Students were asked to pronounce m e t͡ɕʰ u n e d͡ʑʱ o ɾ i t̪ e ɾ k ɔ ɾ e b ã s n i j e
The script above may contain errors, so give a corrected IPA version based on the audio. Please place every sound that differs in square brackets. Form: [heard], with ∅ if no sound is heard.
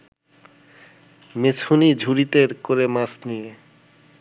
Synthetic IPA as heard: m e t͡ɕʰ u n [i] d͡ʑʱ [u] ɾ i t̪ e ɾ k [o] ɾ e [m] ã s n i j e

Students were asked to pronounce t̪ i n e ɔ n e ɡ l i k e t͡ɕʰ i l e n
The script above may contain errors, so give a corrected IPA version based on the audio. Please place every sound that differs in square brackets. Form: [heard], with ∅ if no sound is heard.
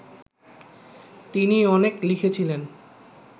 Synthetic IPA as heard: t̪ i n [i] ɔ n e [k] l i [kʰ] e t͡ɕʰ i l e n

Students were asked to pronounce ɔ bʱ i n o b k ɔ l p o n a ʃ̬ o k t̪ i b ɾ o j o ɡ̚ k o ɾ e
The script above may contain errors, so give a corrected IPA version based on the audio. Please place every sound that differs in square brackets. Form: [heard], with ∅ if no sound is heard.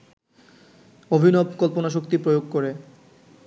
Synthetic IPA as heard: [o] bʱ i n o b k ɔ l p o n a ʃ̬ o k t̪ i [p] ɾ o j o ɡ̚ k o ɾ e

